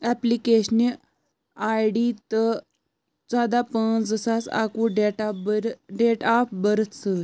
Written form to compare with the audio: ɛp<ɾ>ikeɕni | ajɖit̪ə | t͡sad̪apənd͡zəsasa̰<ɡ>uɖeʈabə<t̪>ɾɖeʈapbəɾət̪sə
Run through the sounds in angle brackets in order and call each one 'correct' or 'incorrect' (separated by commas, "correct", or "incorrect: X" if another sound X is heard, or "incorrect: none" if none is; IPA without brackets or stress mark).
incorrect: l, incorrect: k, incorrect: none